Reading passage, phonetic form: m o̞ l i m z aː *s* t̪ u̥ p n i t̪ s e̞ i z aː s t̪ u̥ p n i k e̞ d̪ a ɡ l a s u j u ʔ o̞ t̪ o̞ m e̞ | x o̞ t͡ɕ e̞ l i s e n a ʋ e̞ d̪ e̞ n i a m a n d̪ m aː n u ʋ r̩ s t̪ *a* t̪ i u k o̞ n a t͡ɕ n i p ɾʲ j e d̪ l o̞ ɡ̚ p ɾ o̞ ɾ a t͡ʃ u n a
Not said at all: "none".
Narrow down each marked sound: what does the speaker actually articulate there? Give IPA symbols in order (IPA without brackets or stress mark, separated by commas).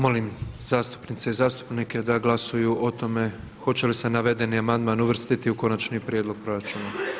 s, i